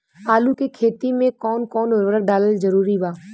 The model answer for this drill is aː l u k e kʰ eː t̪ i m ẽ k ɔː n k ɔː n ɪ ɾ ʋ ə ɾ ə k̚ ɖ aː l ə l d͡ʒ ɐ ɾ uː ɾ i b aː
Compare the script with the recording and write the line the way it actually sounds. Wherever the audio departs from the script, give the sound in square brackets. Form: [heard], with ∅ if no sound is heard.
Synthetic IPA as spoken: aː l u k e kʰ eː t̪ i m ẽ k ɔː n k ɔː n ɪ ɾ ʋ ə ɾ ə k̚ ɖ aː l ə l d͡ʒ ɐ ɾ uː ɾ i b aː